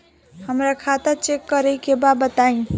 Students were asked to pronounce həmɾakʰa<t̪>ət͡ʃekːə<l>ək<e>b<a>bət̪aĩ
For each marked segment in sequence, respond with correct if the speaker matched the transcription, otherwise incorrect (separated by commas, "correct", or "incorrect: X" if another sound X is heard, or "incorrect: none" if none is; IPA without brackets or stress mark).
correct, incorrect: ɾ, correct, correct